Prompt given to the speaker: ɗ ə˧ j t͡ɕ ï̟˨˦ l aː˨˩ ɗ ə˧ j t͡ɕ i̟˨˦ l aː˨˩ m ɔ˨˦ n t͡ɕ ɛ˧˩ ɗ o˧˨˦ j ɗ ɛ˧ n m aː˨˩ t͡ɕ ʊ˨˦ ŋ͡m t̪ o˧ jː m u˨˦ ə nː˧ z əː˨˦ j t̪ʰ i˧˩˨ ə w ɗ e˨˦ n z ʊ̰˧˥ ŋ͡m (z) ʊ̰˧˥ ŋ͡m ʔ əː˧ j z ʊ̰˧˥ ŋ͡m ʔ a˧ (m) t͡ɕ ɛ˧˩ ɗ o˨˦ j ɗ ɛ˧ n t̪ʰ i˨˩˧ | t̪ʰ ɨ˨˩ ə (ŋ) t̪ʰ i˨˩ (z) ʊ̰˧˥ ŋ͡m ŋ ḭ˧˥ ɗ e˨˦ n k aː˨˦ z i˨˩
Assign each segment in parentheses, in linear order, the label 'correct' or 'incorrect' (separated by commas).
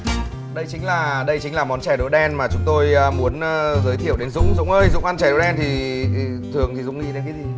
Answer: correct, incorrect, correct, correct